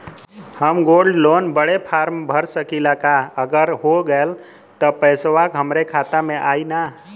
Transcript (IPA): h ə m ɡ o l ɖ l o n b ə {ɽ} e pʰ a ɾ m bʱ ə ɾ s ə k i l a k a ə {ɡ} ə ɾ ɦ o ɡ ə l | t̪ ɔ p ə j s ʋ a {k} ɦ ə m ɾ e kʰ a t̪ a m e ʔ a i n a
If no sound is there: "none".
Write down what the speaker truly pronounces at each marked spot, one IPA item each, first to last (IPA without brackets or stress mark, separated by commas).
ɽ, ɡ, k